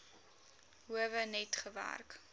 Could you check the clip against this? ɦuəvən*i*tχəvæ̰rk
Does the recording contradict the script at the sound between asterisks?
yes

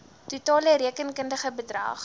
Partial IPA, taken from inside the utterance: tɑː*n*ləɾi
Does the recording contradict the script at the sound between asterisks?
yes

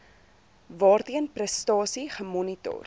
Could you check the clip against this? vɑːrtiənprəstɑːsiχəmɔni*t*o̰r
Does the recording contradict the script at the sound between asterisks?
no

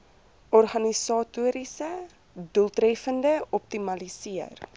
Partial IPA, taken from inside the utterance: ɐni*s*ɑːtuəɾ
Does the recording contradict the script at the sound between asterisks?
no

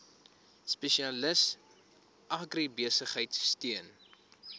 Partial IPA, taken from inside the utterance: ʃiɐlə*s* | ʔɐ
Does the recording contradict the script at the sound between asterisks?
no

